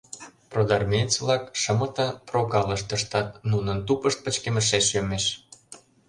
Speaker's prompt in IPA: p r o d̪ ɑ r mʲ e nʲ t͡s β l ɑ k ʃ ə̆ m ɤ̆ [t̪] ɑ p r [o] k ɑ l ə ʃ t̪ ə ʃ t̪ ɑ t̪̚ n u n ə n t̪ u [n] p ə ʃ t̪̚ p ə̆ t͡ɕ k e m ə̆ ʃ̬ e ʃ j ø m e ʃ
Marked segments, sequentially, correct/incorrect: correct, correct, incorrect: none

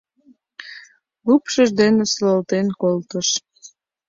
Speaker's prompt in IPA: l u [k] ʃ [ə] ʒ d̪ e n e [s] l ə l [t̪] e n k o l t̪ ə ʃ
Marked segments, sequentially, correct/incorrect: incorrect: p, correct, correct, correct

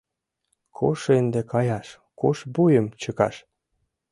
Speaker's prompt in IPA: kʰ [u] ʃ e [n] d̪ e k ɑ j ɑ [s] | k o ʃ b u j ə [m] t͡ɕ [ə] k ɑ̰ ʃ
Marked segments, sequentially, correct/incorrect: incorrect: o, correct, incorrect: ʃ, correct, correct

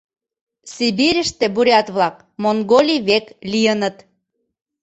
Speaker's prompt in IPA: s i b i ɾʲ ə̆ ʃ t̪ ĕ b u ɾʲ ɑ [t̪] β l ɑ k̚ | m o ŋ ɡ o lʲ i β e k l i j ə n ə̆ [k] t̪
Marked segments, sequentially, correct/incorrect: correct, incorrect: none

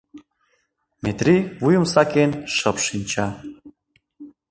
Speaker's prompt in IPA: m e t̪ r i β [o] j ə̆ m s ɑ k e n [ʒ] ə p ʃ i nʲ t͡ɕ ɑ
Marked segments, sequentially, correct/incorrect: incorrect: u, incorrect: ʃ

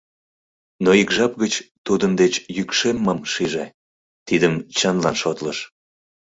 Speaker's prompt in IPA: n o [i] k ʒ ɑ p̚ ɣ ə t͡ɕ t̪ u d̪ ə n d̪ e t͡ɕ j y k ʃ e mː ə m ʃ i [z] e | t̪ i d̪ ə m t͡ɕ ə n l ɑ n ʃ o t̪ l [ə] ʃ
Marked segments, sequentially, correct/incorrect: correct, incorrect: ʒ, correct

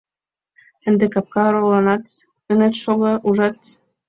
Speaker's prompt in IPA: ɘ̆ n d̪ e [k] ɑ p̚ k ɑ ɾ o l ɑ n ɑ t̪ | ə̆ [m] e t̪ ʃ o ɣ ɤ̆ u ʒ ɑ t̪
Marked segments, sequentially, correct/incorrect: correct, incorrect: n

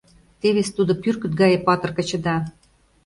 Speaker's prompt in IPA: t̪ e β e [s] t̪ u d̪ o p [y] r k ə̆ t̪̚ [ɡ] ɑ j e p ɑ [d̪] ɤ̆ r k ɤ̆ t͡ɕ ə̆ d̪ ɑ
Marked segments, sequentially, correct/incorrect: correct, correct, correct, incorrect: t̪

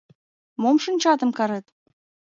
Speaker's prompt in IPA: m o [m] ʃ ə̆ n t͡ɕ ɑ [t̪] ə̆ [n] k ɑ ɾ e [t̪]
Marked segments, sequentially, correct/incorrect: correct, correct, incorrect: m, correct

